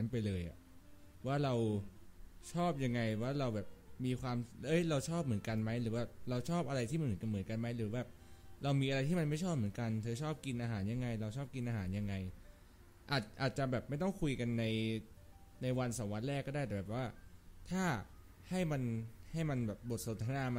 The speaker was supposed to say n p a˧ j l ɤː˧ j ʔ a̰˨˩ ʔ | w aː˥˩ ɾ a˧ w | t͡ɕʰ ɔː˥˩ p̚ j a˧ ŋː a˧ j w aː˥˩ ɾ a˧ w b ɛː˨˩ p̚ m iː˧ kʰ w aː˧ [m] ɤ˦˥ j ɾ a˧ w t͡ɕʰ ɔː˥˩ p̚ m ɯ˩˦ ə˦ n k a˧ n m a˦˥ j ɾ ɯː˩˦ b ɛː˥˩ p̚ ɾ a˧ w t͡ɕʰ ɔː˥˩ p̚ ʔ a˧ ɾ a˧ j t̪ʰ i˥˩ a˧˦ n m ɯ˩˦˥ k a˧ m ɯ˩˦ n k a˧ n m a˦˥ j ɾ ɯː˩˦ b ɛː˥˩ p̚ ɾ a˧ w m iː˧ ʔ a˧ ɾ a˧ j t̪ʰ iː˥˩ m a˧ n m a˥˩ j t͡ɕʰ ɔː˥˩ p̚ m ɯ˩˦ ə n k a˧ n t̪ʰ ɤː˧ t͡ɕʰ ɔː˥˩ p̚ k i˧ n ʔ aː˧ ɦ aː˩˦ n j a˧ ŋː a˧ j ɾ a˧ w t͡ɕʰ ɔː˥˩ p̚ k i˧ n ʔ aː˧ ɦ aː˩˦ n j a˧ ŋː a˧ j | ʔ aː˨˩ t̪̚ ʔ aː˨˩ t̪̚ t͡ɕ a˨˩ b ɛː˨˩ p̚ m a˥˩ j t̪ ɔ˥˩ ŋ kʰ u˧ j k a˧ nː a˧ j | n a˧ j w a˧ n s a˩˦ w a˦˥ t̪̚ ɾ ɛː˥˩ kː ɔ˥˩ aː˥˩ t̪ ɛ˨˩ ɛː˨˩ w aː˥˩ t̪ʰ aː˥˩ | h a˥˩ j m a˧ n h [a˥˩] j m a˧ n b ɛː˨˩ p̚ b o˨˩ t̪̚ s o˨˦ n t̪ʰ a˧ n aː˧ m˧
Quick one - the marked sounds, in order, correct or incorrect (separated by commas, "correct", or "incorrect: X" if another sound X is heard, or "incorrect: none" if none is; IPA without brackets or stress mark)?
correct, correct